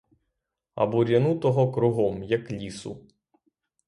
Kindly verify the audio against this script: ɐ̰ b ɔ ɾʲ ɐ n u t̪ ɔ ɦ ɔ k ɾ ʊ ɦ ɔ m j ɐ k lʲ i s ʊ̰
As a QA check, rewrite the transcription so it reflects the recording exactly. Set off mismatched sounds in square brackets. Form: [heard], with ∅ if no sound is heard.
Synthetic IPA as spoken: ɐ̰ b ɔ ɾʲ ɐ n u t̪ ɔ ɦ ɔ k ɾ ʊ ɦ ɔ m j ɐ k lʲ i s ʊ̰